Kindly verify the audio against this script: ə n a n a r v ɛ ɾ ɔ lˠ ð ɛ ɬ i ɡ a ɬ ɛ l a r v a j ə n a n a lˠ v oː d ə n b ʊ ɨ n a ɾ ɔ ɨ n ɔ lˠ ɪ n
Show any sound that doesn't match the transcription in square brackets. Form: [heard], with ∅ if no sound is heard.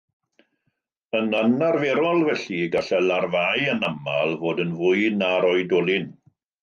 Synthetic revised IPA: ə n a n a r v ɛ ɾ ɔ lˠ [v] ɛ ɬ i ɡ a ɬ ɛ l a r v a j ə n a [m] a lˠ v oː d ə n [v] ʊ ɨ n a ɾ ɔ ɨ [d] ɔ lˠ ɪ n